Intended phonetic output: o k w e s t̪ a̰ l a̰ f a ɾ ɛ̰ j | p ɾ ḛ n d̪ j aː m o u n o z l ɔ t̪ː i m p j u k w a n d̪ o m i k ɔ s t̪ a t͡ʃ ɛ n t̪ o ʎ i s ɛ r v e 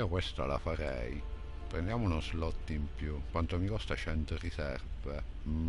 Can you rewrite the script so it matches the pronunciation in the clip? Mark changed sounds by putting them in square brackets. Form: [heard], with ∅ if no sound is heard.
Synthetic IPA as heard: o k w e s t̪ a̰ l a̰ f a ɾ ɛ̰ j | p ɾ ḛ n d̪ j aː m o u n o z l ɔ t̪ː i m p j u k w a n [t̪] o m i k ɔ s t̪ a t͡ʃ ɛ n t̪ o [r] i s ɛ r v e